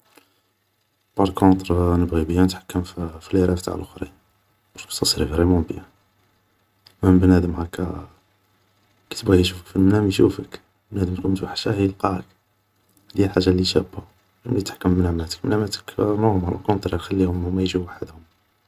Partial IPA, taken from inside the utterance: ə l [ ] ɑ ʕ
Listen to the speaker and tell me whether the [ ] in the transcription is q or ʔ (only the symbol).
q